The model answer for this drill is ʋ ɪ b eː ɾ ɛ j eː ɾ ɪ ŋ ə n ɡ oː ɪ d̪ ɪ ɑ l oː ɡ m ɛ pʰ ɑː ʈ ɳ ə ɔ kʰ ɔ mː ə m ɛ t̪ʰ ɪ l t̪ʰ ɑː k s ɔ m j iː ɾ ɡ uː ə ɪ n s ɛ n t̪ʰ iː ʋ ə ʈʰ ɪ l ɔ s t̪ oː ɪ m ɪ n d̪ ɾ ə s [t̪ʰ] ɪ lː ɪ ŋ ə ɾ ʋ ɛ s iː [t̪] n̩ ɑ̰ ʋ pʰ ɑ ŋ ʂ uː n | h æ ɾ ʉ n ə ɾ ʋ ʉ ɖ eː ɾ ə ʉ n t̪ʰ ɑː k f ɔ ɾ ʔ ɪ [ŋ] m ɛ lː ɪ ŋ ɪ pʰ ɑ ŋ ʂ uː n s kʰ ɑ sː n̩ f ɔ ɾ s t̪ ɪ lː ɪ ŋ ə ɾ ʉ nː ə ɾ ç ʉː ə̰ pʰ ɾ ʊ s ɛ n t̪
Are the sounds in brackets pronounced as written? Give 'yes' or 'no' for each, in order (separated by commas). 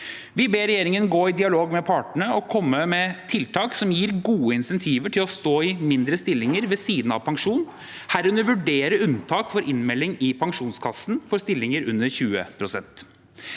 no, no, no